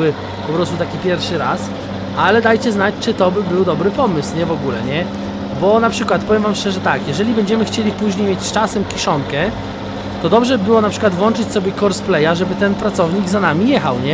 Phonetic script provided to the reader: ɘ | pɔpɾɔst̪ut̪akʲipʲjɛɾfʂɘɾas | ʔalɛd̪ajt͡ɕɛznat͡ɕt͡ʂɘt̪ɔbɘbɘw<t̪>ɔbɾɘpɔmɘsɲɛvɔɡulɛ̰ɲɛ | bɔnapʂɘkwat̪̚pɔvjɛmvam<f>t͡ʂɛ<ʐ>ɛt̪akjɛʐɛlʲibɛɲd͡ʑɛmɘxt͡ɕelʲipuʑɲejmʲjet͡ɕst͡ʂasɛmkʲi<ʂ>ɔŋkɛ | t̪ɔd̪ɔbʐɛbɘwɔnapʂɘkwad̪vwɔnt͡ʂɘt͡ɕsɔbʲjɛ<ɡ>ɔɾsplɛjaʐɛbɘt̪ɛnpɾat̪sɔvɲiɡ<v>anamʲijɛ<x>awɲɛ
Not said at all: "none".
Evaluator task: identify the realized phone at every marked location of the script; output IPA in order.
d̪, ʂ, ʐ, ʂ, k, z, x

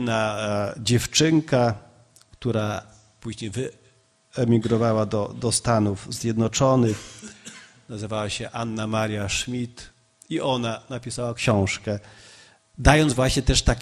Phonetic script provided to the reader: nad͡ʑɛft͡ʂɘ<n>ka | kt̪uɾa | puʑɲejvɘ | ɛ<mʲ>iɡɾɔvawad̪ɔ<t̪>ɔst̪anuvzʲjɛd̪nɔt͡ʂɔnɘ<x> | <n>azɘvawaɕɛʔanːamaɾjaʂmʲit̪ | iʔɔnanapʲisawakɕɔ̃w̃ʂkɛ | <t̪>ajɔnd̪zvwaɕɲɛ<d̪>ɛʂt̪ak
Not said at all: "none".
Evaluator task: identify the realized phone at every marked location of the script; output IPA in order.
ŋ, mʲ, d̪, x, n, d̪, t̪

